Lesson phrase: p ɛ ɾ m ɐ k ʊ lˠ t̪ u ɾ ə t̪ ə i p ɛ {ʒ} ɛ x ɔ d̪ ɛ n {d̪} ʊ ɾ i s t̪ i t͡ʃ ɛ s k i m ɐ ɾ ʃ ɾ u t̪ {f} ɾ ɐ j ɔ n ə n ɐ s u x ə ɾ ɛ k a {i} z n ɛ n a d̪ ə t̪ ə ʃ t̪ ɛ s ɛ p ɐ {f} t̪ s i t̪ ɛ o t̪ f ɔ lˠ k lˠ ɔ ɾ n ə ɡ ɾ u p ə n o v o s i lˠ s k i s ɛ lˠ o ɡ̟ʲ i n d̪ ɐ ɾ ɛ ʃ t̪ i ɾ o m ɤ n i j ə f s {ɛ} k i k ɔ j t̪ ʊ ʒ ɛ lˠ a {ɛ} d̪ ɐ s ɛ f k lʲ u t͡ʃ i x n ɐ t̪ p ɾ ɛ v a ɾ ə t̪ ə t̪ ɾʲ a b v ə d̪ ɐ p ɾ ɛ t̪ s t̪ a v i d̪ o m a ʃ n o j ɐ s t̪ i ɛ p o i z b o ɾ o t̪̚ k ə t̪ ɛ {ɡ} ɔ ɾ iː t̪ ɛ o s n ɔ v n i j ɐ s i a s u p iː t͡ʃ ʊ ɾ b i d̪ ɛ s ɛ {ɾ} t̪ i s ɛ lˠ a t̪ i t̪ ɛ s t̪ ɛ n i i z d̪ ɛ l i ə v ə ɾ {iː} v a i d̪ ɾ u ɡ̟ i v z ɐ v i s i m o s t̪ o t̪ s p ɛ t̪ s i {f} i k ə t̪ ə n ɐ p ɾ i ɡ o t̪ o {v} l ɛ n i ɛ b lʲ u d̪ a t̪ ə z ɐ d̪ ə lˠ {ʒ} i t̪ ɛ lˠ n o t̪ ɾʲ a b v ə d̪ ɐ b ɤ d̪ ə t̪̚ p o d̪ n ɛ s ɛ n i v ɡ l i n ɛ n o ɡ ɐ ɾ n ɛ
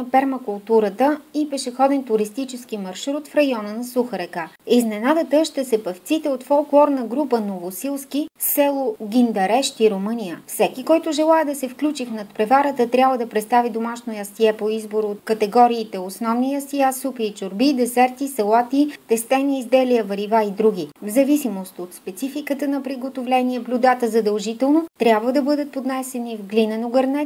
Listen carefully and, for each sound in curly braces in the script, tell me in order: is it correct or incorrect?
incorrect: ʃ, incorrect: t̪, correct, correct, correct, correct, correct, correct, correct, incorrect: i, correct, correct, correct

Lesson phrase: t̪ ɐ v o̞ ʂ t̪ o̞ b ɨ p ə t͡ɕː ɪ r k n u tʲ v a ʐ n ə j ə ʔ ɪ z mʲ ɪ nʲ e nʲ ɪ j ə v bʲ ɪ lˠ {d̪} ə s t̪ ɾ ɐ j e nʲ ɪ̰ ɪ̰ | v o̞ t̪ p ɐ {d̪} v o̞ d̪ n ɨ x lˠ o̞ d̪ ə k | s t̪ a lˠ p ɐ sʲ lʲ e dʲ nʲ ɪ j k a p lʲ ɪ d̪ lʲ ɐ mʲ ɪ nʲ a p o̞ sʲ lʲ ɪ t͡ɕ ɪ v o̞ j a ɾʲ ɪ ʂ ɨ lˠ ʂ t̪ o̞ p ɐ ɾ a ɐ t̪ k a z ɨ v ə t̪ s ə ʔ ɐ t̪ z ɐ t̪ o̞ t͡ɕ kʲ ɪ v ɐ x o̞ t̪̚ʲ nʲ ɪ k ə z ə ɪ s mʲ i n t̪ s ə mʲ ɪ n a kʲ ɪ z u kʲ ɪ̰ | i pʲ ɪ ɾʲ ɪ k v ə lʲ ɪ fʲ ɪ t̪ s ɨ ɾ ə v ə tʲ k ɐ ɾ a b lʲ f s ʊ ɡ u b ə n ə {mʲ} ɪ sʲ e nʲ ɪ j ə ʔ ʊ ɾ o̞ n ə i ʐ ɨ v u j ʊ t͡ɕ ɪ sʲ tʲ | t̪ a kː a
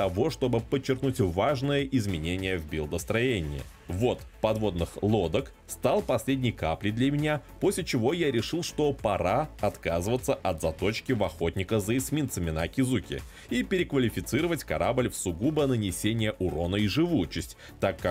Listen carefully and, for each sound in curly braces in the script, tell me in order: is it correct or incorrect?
correct, correct, incorrect: nʲ

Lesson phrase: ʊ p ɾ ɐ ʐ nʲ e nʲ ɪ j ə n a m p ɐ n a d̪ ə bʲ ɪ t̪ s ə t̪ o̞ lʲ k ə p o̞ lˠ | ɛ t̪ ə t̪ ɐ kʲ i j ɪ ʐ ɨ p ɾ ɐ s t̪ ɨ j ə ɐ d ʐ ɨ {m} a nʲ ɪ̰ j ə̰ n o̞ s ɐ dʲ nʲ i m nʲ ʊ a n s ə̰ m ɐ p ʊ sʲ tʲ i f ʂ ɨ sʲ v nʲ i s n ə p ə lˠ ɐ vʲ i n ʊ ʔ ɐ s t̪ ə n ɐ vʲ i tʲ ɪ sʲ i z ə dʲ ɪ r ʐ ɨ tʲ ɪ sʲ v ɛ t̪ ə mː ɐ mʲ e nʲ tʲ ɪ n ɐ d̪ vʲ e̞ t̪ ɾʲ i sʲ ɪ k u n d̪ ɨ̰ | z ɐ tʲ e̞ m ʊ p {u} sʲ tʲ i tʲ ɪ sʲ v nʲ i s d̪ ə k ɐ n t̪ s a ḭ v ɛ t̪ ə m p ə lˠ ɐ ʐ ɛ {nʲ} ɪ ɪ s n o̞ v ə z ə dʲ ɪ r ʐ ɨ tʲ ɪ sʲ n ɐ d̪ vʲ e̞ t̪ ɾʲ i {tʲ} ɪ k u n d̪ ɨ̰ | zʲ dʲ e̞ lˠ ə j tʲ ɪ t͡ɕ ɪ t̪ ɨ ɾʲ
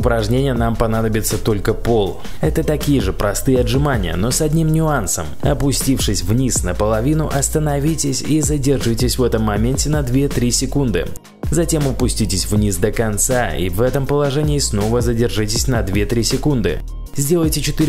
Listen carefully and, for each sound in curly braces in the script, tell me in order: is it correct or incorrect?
correct, incorrect: ʊ, correct, incorrect: sʲ

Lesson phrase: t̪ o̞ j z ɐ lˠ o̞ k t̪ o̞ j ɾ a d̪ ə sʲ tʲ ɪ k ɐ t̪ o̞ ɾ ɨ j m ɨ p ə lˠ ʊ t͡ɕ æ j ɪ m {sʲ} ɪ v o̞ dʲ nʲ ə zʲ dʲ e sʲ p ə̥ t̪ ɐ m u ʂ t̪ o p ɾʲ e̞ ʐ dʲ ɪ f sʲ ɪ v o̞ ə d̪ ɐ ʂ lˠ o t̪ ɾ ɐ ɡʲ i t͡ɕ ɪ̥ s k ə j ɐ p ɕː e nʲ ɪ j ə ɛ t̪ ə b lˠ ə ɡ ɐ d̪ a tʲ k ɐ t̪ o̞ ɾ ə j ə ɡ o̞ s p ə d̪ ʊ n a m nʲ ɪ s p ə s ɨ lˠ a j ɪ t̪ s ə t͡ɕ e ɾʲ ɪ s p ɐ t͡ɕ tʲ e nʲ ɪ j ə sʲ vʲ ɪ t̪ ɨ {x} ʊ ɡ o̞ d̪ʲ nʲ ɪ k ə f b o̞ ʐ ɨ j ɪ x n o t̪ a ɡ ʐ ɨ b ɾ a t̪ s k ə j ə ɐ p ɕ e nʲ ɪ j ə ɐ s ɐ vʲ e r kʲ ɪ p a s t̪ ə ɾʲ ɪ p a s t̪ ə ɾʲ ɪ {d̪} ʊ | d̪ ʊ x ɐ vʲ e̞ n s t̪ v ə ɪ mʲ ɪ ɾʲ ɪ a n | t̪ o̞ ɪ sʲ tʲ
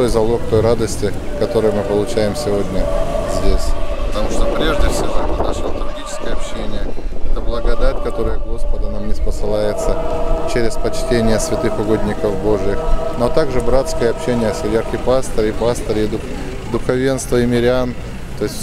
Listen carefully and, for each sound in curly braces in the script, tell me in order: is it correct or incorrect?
correct, correct, correct

